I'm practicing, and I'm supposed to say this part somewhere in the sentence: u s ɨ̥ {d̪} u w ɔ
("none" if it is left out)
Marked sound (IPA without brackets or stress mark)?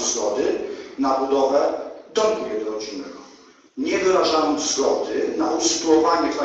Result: t̪